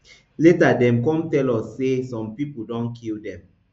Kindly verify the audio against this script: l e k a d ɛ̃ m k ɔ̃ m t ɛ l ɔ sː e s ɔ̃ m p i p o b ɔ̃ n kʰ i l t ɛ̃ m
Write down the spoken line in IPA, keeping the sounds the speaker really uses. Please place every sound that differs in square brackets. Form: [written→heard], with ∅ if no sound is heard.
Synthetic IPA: l e [k→t] a d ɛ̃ m k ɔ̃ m t ɛ l ɔ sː e s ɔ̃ m p i p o [b→d] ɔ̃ n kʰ i l [t→d] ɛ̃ m